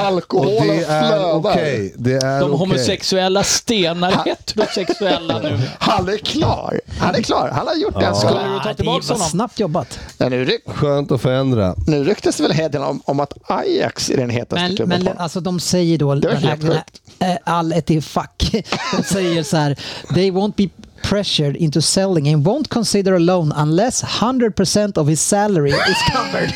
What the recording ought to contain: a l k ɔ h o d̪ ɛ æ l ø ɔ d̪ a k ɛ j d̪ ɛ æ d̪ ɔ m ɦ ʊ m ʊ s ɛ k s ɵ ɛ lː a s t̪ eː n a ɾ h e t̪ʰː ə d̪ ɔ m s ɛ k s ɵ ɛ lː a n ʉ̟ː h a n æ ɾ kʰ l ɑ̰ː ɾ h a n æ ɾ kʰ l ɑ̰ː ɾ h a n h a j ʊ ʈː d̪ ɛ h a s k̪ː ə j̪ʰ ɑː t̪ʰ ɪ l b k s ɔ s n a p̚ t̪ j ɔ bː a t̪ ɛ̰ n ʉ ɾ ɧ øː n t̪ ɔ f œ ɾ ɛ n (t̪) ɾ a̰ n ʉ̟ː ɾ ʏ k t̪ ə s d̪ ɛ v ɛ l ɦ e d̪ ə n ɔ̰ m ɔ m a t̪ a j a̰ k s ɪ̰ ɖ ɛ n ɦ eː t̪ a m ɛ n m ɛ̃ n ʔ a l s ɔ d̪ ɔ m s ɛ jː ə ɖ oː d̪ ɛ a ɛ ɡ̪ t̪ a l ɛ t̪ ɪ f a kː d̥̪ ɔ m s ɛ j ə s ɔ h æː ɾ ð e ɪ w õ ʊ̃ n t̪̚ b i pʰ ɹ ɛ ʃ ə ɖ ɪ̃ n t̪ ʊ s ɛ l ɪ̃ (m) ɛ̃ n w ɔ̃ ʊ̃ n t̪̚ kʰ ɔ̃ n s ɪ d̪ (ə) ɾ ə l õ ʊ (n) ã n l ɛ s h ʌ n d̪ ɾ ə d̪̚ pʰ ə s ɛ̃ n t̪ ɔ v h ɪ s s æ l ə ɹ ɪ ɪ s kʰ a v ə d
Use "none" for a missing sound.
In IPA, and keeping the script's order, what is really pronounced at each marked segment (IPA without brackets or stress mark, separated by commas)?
d̪, ŋ, ə, n